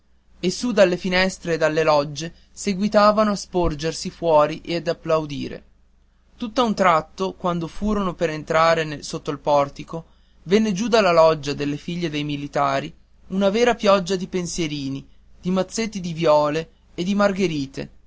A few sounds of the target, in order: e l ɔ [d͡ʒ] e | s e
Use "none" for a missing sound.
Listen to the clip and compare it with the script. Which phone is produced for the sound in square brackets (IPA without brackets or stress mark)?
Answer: d͡ʒː